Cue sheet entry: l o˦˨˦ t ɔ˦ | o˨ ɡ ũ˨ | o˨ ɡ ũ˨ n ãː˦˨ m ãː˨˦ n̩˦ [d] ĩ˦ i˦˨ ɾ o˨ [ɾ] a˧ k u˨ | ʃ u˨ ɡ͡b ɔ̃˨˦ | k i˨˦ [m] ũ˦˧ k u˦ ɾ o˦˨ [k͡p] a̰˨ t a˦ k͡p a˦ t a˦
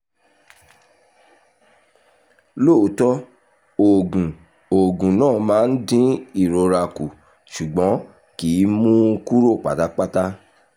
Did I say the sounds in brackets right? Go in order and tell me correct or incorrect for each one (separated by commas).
correct, correct, correct, correct